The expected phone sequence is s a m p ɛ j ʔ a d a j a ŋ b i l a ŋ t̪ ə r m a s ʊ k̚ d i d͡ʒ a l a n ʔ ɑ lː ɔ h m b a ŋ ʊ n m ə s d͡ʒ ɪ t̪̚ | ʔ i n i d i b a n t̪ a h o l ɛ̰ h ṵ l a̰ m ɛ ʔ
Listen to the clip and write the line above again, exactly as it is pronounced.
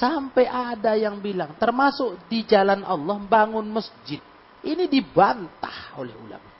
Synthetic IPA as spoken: s a m p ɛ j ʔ a d a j a ŋ b i l a ŋ t̪ ə r m a s ʊ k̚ d i d͡ʒ a l a n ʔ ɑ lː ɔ h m b a ŋ ʊ n m ə s d͡ʒ ɪ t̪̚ | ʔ i n i d i b a n t̪ a h o l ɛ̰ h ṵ l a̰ m a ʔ